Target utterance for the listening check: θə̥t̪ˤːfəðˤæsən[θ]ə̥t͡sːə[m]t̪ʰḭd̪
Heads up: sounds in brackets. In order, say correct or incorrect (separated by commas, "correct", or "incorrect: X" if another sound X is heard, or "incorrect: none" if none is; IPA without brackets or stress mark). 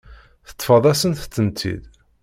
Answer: correct, incorrect: n